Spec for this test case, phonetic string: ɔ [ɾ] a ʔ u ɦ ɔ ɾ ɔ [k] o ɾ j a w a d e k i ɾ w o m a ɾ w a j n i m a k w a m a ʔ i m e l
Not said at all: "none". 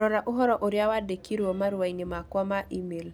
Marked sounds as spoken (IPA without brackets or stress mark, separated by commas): ɾ, ʔ